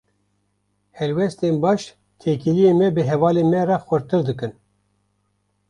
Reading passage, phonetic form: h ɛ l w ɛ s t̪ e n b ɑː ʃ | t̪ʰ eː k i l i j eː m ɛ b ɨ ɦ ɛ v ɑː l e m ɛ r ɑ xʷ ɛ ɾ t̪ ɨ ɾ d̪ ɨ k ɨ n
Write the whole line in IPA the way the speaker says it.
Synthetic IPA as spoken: h ɛ l w ɛ s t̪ e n b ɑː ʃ | t̪ʰ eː k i l i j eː m ɛ b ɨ ɦ ɛ v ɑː l e m ɛ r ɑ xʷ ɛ ɾ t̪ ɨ ɾ d̪ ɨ k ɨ n